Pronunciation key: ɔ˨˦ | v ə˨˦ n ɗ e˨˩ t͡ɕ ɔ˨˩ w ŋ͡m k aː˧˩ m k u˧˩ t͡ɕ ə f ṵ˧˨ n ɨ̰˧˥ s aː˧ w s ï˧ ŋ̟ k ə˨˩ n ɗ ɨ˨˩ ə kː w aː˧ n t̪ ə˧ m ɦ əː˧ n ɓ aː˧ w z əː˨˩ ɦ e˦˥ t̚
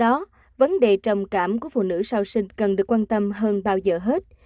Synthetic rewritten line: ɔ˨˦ | v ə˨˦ n ɗ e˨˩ t͡ɕ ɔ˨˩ w ŋ͡m k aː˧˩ m k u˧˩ ə f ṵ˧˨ n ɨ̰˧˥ s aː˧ w s ï˧ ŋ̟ k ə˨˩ n ɗ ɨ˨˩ ə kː w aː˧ n t̪ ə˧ m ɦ əː˧ n ɓ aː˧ w z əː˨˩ ɦ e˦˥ t̚